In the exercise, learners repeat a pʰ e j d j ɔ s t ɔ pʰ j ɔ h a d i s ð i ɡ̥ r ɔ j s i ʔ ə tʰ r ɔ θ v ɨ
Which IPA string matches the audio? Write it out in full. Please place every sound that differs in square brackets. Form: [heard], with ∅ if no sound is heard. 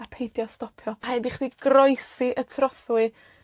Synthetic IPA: a pʰ e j d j ɔ s t ɔ pʰ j ɔ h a d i [χ] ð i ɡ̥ r ɔ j s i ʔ ə tʰ r ɔ θ [w] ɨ